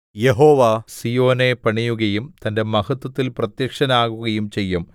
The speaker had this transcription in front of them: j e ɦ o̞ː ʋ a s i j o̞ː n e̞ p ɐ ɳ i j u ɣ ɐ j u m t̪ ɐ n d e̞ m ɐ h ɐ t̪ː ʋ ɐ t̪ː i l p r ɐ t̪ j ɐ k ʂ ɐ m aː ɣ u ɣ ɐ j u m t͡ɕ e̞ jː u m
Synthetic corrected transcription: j e ɦ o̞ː ʋ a s i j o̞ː n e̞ p ɐ ɳ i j u ɣ ɐ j u m t̪ ɐ n d e̞ m ɐ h ɐ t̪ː w ɐ t̪ː i l p r ɐ t̪ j ɐ k ʂ ɐ n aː ɣ u ɣ ɐ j u m t͡ɕ e̞ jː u m

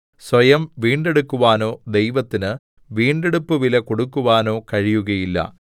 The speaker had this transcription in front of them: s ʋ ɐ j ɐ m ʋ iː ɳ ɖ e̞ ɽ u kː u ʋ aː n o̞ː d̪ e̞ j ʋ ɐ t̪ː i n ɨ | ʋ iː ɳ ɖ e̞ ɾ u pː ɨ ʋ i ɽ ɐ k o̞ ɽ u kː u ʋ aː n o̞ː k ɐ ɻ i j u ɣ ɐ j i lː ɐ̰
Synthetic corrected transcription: s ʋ ɐ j ɐ m ʋ iː ɳ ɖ e̞ ɽ u kː u ʋ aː n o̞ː d̪ e̞ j ʋ ɐ t̪ː i n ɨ | ʋ iː ɳ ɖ e̞ ɽ u pː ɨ ʋ i l ɐ k o̞ ɽ u kː u ʋ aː n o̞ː k ɐ ɻ i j u ɣ ɐ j i lː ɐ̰

